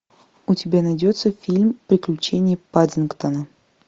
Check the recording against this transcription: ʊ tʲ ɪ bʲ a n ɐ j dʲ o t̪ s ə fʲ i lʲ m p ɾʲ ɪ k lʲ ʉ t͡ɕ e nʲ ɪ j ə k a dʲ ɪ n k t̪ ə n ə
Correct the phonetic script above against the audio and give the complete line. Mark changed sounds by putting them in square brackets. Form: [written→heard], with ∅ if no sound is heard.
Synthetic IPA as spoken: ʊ tʲ ɪ bʲ a n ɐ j dʲ o t̪ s ə fʲ i lʲ m p ɾʲ ɪ k lʲ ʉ t͡ɕ e nʲ ɪ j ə [k→p] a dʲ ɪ n k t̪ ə n ə